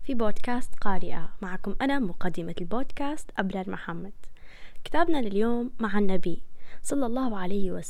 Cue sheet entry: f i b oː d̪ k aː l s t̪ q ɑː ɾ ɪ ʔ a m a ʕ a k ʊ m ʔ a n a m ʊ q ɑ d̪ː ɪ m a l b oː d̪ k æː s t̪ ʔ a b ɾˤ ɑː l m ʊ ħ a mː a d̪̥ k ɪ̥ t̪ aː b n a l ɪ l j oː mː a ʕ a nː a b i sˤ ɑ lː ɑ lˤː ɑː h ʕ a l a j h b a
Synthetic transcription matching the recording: f i b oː d̪ k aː s t̪ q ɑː ɾ ɪ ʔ a m a ʕ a k ʊ m ʔ a n a m ʊ q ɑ d̪ː ɪ m a l b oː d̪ k aː s t̪ ʔ a b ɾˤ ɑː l m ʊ ħ a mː a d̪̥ k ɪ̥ t̪ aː b n a l ɪ l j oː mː a ʕ a nː a b i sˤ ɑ lː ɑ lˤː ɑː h ʕ a l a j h w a